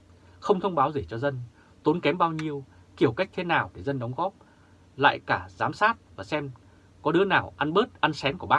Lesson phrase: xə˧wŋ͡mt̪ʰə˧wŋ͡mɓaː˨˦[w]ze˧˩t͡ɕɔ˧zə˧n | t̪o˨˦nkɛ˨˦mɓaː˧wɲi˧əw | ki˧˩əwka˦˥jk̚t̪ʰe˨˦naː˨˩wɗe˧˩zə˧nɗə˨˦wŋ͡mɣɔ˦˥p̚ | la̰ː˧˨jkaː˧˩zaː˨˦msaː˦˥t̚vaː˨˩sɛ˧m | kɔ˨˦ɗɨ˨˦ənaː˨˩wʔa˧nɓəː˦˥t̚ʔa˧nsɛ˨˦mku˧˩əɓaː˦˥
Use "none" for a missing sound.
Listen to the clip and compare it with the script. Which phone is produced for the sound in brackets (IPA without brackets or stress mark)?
w